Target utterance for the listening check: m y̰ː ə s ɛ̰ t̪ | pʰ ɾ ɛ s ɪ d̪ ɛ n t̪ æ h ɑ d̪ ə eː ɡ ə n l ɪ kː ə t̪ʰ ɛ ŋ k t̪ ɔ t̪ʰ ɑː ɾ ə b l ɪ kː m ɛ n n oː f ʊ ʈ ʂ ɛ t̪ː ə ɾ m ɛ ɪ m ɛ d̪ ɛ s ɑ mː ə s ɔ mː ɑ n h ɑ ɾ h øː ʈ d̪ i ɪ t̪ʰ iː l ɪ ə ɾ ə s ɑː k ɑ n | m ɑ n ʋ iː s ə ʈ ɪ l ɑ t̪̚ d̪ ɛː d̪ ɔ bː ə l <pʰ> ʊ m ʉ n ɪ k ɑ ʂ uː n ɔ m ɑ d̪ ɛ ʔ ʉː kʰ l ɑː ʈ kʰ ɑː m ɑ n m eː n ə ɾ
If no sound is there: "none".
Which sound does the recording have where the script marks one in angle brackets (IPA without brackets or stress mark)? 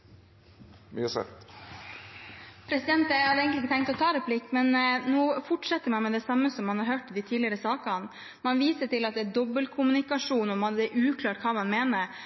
kʰ